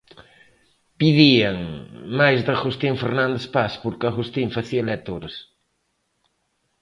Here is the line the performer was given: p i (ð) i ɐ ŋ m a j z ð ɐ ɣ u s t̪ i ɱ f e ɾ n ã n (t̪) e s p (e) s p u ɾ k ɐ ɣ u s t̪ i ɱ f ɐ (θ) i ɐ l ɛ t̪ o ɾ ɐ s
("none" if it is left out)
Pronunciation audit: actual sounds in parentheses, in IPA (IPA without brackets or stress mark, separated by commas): ð, d̪, a, θ